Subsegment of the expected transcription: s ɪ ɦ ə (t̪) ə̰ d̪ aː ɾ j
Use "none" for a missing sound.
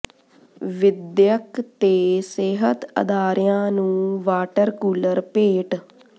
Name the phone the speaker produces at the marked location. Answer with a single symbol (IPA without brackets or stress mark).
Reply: t̪